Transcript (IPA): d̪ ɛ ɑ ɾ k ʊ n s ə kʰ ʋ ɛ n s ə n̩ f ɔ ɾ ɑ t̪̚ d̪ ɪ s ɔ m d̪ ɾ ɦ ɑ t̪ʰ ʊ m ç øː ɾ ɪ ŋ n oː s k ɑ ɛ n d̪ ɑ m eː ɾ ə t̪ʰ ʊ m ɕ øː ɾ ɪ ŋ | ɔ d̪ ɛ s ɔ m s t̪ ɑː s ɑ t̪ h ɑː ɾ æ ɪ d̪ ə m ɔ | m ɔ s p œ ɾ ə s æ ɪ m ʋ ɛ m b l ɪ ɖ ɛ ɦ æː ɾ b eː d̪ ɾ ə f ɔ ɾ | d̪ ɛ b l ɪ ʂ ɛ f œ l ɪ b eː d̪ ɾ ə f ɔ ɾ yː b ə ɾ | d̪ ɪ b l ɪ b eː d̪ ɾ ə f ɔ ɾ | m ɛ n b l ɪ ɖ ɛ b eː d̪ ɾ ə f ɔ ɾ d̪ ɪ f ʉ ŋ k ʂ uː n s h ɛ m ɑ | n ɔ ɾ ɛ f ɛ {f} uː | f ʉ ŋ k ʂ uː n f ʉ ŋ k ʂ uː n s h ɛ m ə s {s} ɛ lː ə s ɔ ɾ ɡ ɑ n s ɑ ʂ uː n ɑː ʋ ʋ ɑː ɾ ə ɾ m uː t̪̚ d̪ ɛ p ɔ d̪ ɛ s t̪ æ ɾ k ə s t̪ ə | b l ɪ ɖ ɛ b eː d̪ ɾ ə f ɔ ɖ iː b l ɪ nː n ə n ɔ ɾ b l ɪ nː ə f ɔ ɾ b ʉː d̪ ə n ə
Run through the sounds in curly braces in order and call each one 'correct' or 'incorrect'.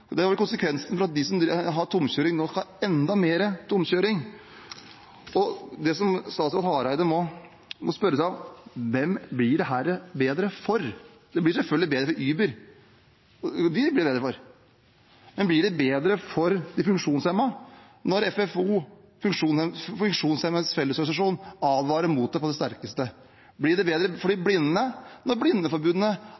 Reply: correct, incorrect: f

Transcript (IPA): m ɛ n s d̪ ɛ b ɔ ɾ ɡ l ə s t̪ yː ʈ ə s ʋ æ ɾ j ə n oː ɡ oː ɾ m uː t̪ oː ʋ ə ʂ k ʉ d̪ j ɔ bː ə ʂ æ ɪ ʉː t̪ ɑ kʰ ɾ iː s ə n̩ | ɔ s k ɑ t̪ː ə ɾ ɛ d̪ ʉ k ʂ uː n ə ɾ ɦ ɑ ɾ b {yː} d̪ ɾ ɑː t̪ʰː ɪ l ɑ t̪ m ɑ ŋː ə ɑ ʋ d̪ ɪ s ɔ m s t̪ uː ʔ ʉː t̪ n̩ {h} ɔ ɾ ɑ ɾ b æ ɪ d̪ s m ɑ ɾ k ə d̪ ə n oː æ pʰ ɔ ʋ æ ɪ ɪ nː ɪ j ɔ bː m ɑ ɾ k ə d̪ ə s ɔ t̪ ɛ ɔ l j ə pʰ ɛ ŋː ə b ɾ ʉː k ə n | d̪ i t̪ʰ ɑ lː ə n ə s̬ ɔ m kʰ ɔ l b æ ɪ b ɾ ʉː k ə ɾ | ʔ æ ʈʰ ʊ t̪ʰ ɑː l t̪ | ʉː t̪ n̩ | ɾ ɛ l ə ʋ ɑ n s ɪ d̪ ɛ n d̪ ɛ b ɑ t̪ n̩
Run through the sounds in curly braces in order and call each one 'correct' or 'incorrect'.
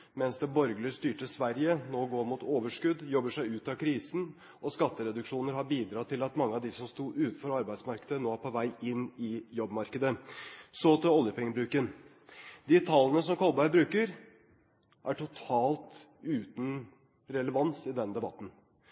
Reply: incorrect: iː, incorrect: f

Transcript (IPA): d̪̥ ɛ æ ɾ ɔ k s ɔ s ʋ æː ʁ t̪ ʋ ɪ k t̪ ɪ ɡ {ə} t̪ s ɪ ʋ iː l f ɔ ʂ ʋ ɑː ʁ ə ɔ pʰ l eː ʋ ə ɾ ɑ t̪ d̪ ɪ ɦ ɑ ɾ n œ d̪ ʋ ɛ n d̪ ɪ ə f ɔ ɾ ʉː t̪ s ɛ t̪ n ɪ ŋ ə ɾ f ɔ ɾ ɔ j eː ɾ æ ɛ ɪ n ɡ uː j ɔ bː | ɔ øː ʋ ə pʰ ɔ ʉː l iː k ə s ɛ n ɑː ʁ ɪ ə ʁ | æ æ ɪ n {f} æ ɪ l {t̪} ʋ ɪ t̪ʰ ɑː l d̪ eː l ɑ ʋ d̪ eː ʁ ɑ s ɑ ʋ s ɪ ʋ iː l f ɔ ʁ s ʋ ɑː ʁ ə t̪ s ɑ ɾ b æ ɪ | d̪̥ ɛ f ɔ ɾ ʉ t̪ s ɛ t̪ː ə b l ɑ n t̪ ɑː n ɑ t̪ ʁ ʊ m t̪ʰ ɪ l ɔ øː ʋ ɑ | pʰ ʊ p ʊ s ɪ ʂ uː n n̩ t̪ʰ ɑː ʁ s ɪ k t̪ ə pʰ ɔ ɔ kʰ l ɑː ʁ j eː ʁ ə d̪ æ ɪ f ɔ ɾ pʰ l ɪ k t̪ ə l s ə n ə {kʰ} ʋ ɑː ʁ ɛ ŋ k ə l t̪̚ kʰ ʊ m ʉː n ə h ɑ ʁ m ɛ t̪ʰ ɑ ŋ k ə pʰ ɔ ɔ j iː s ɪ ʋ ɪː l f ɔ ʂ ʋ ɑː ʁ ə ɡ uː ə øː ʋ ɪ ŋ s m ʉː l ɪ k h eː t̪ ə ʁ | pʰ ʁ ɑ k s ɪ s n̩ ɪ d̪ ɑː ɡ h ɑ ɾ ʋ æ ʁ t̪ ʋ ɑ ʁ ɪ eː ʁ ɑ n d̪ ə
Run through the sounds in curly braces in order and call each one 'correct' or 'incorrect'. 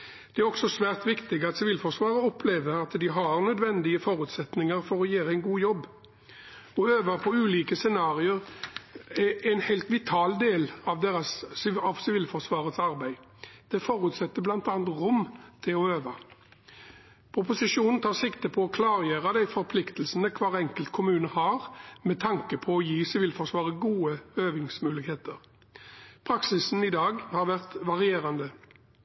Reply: incorrect: ɑ, incorrect: h, correct, correct

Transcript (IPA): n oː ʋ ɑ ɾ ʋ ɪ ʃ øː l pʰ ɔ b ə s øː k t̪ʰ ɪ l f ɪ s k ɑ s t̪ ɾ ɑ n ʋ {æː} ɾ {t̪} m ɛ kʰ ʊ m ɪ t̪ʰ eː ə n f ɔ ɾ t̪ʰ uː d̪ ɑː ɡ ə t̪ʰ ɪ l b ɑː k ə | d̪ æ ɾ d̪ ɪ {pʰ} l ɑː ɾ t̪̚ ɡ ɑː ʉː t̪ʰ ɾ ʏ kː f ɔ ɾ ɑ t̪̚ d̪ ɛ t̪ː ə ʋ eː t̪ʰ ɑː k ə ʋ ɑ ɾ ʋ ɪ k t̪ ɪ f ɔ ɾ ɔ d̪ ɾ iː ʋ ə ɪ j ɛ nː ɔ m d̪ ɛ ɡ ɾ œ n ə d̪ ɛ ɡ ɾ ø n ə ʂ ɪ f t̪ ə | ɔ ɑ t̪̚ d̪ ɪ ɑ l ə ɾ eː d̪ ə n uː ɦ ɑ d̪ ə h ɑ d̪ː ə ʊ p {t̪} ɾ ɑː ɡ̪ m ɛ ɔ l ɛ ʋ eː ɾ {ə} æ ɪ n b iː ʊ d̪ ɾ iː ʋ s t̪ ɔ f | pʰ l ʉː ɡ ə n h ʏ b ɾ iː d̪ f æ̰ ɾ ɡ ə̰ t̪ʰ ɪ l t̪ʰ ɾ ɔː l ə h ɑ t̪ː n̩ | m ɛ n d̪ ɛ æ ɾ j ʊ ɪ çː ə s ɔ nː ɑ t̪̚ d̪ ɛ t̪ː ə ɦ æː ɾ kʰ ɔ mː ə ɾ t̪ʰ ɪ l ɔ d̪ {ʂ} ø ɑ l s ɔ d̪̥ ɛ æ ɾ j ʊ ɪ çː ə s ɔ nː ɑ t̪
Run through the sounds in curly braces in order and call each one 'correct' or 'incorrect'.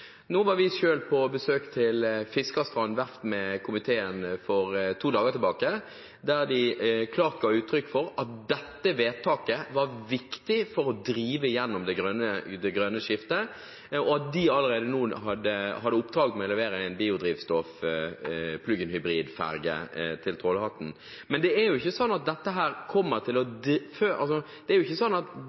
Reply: incorrect: æ, correct, incorrect: kʰ, incorrect: d̪, correct, incorrect: f

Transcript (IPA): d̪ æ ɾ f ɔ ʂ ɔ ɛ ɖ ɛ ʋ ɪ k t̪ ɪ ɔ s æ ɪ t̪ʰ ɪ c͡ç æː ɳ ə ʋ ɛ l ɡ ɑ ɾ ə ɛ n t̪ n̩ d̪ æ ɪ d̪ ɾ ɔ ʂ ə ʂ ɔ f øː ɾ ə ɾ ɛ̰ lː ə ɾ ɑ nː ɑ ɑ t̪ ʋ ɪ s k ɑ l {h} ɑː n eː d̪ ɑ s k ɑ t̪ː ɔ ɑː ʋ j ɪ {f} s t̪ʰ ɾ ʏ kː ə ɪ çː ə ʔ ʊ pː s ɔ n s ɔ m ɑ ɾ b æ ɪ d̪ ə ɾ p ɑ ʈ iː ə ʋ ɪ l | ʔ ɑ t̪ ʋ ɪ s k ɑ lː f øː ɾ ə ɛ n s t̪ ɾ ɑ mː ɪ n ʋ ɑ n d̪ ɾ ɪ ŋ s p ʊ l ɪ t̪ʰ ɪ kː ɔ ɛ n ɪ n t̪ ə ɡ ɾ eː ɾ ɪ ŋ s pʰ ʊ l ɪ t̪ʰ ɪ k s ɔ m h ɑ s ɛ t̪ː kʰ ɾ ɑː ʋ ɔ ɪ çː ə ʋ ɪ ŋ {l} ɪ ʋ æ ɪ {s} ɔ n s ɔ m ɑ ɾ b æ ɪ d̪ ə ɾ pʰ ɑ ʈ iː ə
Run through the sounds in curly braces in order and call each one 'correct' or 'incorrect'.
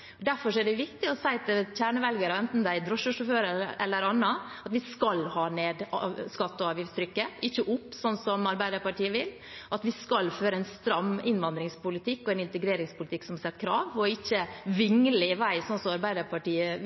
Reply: correct, correct, correct, correct

